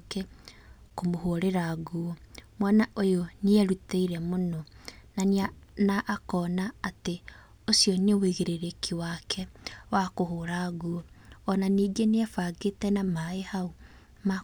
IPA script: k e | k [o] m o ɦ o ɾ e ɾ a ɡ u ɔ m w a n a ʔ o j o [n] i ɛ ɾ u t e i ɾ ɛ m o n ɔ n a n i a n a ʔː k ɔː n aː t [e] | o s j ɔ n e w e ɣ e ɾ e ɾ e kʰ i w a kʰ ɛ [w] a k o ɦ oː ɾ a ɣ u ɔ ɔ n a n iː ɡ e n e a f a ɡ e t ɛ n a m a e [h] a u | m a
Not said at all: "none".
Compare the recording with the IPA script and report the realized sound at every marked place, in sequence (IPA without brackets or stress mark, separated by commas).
o, n, e, w, h